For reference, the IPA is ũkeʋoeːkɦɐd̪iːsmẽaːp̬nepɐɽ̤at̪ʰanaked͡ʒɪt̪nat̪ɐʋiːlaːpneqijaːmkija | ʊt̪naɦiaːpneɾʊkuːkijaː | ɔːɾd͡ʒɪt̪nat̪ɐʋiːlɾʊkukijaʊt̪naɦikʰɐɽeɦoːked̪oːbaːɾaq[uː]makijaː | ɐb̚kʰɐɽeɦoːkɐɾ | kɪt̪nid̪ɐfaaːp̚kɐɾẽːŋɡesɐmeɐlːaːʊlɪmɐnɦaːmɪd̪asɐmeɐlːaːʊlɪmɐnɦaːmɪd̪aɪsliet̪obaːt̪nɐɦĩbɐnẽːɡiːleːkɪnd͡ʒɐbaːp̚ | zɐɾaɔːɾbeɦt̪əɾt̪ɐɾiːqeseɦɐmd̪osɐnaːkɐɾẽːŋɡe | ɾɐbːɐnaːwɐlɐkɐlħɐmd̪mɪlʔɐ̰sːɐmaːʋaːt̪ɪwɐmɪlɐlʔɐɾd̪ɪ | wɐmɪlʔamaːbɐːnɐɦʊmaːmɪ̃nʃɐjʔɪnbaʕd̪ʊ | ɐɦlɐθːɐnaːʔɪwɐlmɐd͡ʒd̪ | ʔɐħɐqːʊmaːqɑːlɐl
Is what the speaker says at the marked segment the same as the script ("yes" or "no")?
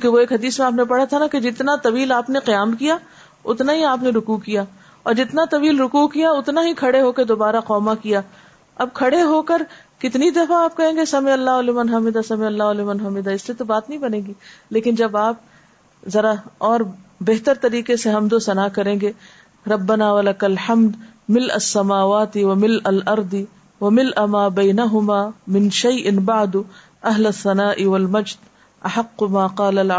no